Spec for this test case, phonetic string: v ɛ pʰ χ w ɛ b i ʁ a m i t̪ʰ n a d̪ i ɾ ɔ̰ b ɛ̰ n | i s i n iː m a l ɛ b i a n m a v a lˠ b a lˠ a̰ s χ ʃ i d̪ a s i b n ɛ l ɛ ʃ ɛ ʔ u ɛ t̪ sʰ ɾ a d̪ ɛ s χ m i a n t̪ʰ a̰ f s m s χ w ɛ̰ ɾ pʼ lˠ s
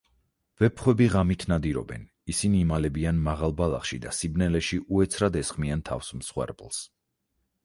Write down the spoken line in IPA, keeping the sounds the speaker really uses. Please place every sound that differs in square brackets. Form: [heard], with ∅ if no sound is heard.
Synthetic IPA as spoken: v ɛ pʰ χ w ɛ b i ʁ a m i t̪ʰ n a d̪ i ɾ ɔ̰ b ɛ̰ n | i s i n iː m a l ɛ b i a n m a [ʁ] a lˠ b a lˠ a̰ [∅] χ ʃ i d̪ a s i b n ɛ l ɛ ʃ [i] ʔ u ɛ t̪ sʰ ɾ a d̪ ɛ s χ m i a n t̪ʰ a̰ f s m s χ w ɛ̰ ɾ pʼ lˠ s